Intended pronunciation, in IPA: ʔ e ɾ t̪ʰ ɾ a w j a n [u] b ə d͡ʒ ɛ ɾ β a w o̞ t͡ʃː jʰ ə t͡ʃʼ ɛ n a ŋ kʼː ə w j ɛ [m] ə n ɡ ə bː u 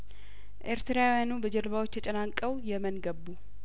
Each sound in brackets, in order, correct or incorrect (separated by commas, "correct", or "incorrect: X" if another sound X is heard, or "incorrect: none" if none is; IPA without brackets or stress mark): correct, correct